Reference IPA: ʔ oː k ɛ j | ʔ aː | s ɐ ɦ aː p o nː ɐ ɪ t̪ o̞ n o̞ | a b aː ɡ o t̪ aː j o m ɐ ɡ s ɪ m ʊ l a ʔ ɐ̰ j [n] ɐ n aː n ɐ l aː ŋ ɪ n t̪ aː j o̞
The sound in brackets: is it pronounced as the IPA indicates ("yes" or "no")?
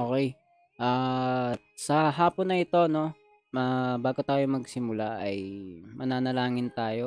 no